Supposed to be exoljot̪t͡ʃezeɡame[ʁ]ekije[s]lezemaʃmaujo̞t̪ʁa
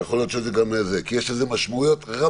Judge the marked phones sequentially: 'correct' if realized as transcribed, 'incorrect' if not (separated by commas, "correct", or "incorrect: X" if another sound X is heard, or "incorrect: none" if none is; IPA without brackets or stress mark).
incorrect: z, incorrect: ʃ